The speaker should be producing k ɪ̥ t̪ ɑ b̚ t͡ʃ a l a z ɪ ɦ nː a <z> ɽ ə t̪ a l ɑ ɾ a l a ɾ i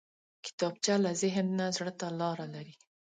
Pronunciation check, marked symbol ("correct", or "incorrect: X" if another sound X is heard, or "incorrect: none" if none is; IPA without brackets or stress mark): correct